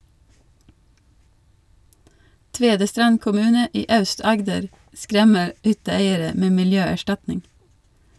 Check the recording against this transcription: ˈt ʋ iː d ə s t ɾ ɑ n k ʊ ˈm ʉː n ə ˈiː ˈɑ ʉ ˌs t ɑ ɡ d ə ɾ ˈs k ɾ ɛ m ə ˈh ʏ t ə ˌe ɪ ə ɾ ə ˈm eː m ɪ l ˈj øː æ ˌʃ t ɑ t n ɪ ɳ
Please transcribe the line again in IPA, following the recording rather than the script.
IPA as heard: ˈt ʋ eː d ə s t ɾ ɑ n k ʊ ˈm ʉː n ə ˈiː ˈɑ ʉ ˌs t ɑ ɡ d ə ɾ ˈs k ɾ ɛ m ə ˈh ʏ t ə ˌe ɪ ə ɾ ə ˈm eː m ɪ l ˈj øː æ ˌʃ t ɑ t n ɪ ŋ

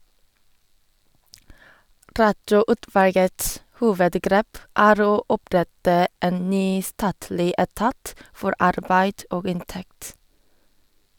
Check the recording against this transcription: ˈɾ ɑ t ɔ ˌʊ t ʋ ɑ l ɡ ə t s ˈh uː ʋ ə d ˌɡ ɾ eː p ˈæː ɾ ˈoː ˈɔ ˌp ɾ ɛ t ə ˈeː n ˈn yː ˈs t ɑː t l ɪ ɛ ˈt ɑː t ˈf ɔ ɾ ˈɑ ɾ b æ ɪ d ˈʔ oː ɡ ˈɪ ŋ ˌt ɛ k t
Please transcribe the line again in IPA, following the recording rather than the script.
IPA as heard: ˈɾ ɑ t ɔ ˌʊ t ʋ ɑ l ɡ ə t s ˈh uː ʋ ə d ˌɡ ɾ eː p ˈæː ɾ ˈoː ˈɔ ˌp ɾ ɛ t ə ˈeː n ˈn yː ˈs t ɑː t l ɪ ɛ ˈt ɑː t ˈf ɔ ɾ ˈɑ ɾ b æ ɪ d ˈʔ oː ɡ ˈɪ n ˌt ɛ k t

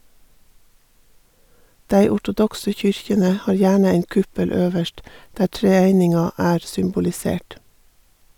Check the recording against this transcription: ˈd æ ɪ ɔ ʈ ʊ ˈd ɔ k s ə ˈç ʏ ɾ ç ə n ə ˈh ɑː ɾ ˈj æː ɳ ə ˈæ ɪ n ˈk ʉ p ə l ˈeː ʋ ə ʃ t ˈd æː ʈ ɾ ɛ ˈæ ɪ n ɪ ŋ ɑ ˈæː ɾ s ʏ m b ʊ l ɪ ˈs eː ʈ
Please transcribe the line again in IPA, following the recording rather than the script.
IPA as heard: ˈd æ ɪ ɔ ʈ ʊ ˈd ɔ k s ə ˈç ʏ ɾ ç ə n ə ˈh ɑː ɾ ˈj æː ɳ ə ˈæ ɪ n ˈk ʉ p ə l ˈøː ʋ ə ʃ t ˈd æː ʈ ɾ ɛ ˈæ ɪ n ɪ ŋ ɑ ˈæː ɾ s ʏ m b ʊ l ɪ ˈs eː ʈ

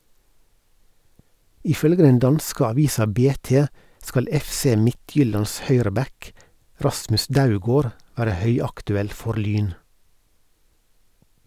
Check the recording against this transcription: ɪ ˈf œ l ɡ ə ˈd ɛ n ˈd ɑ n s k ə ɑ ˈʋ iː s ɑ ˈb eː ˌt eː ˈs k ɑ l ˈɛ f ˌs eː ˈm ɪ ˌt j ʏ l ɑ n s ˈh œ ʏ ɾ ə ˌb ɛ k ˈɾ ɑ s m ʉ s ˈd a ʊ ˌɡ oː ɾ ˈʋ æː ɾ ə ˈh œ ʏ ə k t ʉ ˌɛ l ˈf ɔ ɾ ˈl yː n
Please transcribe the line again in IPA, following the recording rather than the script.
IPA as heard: ɪ ˈf œ l ɡ ə ˈd ɛ n ˈd ɑ n s k ə ɑ ˈʋ iː s ɑ ˈb eː ˌt eː ˈs k ɑ l ˈɛ f ˌs eː ˈm ɪ ˌt j ʏ l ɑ n s ˈh œ ʏ ɾ ə ˌb ɛ k ˈɾ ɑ s m ʉ s ˈd a ʊ ˌɡ oː ɾ ˈʋ æː ɾ ə ˈh œ ʏ ɑ k t ʉ ˌɛ l ˈf ɔ ɾ ˈl yː n

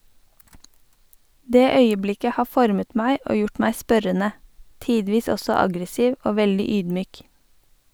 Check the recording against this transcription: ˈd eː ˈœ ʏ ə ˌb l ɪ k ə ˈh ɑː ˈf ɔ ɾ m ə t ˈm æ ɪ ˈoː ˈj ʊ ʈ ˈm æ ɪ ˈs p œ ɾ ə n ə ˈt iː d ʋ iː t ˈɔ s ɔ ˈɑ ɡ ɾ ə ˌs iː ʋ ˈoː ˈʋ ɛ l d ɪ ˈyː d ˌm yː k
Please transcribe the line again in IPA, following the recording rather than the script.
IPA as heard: ˈd eː ˈœ ʏ ə ˌb l ɪ k ə ˈh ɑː ˈf ɔ ɾ m ə t ˈm æ ɪ ˈoː ˈj ʊ ʈ ˈm æ ɪ ˈs p œ ɾ ə n ə ˈt iː d ʋ iː s ˈɔ s ɔ ˈɑ ɡ ɾ ə ˌs iː ʋ ˈoː ˈʋ ɛ l d ɪ ˈyː d ˌm yː k

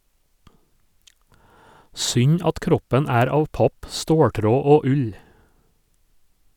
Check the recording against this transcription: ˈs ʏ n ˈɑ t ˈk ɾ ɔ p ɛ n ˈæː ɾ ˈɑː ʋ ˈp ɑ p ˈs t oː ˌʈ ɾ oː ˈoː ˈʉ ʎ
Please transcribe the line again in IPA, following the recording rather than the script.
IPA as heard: ˈs ʏ ɲ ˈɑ t ˈk ɾ ɔ p ɛ n ˈæː ɾ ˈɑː ʋ ˈp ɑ p ˈs t oː ˌʈ ɾ oː ˈoː ˈʉ ʎ

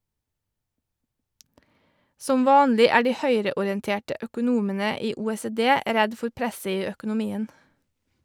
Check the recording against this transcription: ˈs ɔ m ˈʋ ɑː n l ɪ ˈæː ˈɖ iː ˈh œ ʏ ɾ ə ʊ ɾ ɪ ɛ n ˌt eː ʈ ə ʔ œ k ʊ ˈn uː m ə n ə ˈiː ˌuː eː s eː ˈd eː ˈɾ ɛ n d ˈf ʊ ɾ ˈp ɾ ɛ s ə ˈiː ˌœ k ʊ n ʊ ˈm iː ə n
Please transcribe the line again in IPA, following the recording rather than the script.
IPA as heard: ˈs ɔ m ˈʋ ɑː n l ɪ ˈæː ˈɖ iː ˈh œ ʏ ɾ ə ʊ ɾ ɪ ɛ n ˌt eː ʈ ə ʔ œ k ʊ ˈn uː m ə n ə ˈiː ˌuː eː s eː ˈd eː ˈɾ ɛ d ˈf ʊ ɾ ˈp ɾ ɛ s ə ˈiː ˌœ k ʊ n ʊ ˈm iː ə n

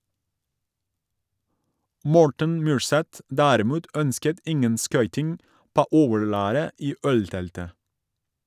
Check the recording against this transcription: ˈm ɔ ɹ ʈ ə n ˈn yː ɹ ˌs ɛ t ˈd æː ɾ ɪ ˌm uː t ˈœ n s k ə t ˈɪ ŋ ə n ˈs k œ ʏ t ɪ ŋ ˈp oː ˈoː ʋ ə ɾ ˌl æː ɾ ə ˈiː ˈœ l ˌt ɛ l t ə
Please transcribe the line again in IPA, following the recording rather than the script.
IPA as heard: ˈm ɔ ɹ ʈ ə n ˈm yː ɹ ˌs ɛ t ˈd æː ɾ ɪ ˌm uː t ˈœ n s k ə t ˈɪ ŋ ə n ˈs k œ ʏ t ɪ ŋ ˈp oː ˈoː ʋ ə ɹ ˌl æː ɾ ə ˈiː ˈœ l ˌt ɛ l t ə

